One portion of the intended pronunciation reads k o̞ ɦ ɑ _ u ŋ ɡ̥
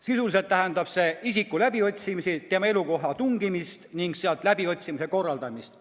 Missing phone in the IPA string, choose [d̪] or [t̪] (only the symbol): t̪